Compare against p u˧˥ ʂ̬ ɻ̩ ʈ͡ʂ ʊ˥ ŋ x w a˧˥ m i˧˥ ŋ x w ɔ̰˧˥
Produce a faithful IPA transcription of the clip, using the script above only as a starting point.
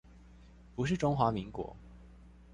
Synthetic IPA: p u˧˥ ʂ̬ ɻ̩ ʈ͡ʂ ʊ˥ ŋ x w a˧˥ m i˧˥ ŋ k w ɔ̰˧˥